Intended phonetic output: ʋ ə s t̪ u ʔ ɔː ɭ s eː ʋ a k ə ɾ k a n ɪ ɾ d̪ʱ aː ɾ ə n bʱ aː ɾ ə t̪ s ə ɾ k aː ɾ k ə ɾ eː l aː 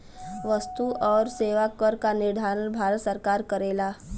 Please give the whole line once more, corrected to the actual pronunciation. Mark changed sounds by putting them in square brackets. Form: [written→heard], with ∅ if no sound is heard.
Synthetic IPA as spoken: ʋ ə s t̪ u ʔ ɔː [ɭ→ɾ] s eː ʋ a k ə ɾ k a n ɪ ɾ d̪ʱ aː ɾ ə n bʱ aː ɾ ə t̪ s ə ɾ k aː ɾ k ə ɾ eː l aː